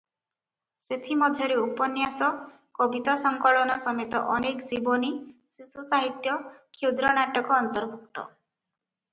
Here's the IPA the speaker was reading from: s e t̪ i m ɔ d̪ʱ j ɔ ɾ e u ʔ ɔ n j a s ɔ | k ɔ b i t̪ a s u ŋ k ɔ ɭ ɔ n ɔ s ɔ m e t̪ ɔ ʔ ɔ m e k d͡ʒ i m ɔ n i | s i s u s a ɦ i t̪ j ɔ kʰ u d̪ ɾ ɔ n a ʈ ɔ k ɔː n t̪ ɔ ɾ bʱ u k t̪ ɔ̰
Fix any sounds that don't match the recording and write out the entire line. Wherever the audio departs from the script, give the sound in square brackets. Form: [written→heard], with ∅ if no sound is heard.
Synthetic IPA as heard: s e [t̪→t̪ʰ] i m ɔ d̪ʱ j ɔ ɾ e u [ʔ→p] ɔ n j a s ɔ | k ɔ b i t̪ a s [u→ɔ] ŋ k ɔ ɭ ɔ n ɔ s ɔ m e t̪ ɔ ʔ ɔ [m→n] e k d͡ʒ i [m→b] ɔ n i | s i s u s a ɦ i t̪ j ɔ kʰ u d̪ ɾ ɔ n a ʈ ɔ k ɔː n t̪ ɔ ɾ bʱ u k t̪ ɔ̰